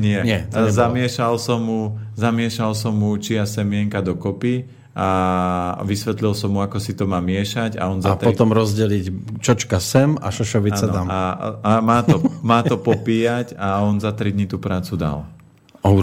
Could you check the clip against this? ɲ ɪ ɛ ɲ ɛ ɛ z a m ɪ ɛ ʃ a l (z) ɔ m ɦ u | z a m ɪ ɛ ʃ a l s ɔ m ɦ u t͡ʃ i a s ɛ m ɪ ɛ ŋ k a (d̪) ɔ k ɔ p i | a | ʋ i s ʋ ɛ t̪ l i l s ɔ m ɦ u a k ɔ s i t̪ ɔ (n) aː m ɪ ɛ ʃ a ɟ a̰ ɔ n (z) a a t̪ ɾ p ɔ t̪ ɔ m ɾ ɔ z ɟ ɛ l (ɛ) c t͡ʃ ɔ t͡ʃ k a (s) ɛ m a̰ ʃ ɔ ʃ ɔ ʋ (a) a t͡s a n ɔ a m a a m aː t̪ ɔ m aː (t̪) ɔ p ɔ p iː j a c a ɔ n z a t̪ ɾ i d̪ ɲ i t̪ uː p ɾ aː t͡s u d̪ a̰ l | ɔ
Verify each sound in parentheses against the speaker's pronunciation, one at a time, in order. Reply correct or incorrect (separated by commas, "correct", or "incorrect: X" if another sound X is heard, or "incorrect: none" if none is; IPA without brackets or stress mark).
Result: incorrect: s, correct, incorrect: m, correct, incorrect: i, correct, incorrect: i, correct